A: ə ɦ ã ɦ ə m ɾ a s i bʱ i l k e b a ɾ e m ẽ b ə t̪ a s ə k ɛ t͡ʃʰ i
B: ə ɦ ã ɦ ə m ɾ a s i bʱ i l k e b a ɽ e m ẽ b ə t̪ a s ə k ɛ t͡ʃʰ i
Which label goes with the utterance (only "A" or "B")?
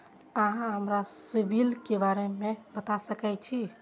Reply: A